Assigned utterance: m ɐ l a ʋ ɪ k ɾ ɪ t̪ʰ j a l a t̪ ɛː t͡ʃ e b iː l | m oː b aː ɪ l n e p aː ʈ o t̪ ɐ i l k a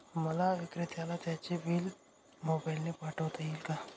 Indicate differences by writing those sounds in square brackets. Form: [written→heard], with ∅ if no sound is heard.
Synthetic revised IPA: m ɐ l a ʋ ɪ k ɾ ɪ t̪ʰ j a l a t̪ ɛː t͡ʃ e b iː l | m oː b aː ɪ l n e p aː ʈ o t̪ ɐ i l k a